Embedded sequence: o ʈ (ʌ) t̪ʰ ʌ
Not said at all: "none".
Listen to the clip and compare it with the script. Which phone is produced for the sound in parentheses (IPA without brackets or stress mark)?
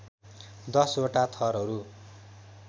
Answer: a